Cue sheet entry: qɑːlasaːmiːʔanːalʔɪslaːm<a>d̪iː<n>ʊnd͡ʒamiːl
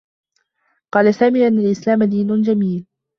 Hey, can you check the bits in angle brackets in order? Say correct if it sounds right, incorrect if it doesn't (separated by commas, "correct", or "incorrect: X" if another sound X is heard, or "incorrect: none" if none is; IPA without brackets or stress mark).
correct, correct